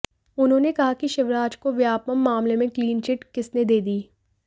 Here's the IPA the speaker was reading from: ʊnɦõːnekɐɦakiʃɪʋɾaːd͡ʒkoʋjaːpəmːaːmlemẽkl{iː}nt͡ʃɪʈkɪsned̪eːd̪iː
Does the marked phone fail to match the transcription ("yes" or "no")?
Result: no